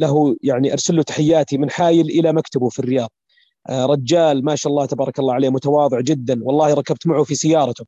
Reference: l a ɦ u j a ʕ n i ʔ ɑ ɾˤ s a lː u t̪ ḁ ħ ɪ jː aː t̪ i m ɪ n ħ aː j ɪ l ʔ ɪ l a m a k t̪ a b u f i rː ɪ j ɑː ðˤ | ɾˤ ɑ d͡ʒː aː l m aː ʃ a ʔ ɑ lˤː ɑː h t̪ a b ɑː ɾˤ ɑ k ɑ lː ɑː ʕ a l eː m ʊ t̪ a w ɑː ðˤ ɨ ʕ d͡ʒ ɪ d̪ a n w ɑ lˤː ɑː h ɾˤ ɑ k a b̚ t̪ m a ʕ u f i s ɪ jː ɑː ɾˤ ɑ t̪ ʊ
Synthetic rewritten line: l a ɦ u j a ʕ n i ʔ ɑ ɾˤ s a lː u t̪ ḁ ħ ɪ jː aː t̪ i m ɪ n ħ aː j ɪ l ʔ ɪ l a m a k t̪ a b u f i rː ɪ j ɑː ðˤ | ɾˤ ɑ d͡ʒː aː l m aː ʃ a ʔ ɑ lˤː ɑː h t̪ a b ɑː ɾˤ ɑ k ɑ lː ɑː ʕ a l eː m ʊ t̪ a w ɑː ðˤ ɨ ʕ d͡ʒ ɪ d̪ː a n w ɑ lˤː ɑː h ɾˤ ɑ k a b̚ t̪ m a ʕ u f i s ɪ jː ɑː ɾˤ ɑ t̪ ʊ